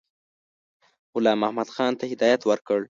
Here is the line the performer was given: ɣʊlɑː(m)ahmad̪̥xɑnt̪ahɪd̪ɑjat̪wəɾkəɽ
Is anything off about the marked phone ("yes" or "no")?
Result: no